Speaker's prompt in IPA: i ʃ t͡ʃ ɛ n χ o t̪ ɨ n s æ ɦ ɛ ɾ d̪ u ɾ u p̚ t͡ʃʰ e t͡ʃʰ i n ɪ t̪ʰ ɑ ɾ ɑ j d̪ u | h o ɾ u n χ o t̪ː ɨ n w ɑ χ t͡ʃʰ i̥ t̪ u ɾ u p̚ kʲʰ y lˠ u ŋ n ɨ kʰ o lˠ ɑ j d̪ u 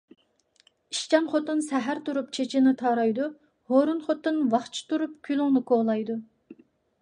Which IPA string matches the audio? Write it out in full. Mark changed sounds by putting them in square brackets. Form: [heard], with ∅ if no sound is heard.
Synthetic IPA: i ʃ t͡ʃ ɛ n χ o t̪ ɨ n s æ ɦ [æ] ɾ [t̪] u ɾ u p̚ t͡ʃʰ e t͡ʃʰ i n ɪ t̪ʰ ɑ ɾ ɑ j d̪ u | h o ɾ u n χ o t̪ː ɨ n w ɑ χ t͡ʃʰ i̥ t̪ u ɾ u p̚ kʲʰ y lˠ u ŋ n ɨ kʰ o lˠ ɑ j d̪ u